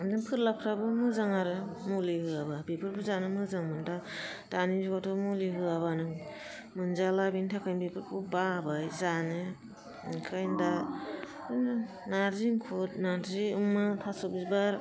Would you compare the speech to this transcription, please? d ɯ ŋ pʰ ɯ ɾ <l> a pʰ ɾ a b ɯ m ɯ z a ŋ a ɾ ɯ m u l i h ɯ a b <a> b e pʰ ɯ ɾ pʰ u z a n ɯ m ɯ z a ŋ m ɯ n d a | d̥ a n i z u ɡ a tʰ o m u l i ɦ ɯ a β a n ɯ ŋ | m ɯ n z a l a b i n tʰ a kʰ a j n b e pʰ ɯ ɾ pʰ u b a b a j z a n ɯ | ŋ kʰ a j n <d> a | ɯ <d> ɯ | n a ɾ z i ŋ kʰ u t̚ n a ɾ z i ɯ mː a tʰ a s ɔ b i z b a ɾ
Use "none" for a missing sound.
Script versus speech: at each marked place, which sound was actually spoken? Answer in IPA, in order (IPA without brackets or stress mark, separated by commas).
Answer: l, a, d, n